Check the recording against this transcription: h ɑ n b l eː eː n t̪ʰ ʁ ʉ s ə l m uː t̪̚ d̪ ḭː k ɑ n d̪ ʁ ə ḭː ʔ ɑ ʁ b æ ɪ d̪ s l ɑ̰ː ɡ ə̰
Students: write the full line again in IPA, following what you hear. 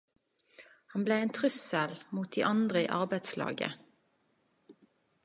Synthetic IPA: h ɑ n b l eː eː n t̪ʰ ʁ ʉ s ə l m uː t̪̚ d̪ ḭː ʔ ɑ n d̪ ʁ ə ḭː ʔ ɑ ʁ b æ ɪ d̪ s l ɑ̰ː ɡ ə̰